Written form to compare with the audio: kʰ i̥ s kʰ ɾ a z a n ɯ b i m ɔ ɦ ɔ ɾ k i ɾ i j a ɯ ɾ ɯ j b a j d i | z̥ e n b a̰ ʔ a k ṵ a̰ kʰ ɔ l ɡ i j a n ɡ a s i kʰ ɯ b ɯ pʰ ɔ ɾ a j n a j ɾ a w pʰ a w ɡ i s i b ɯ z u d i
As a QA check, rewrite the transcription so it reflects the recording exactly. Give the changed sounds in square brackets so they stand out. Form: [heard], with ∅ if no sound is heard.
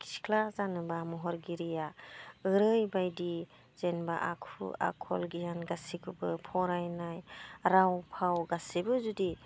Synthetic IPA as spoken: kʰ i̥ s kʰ [l] a z a n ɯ b [a] m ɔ ɦ ɔ ɾ [ɡ] i ɾ i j a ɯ ɾ ɯ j b a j d i | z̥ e n b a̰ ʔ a [kʰ] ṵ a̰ kʰ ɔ l ɡ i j a n ɡ a s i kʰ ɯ b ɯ pʰ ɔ ɾ a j n a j ɾ a w pʰ a w ɡ [a] s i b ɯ z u d i